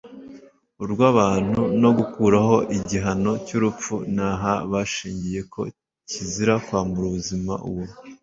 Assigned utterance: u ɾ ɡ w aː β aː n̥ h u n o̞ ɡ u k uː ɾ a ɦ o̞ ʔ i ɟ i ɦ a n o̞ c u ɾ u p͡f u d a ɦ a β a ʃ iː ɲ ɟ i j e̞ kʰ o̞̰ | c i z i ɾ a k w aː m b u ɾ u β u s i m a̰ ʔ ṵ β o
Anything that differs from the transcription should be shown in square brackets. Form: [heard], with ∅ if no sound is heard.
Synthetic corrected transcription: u ɾ ɡ w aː β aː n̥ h u n o̞ ɡ u k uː ɾ a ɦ o̞ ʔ i ɟ i ɦ a n o̞ c u ɾ u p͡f u [n] a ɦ a β a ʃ iː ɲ ɟ i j e̞ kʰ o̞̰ | c i z i ɾ a k w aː m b u ɾ u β u [z] i m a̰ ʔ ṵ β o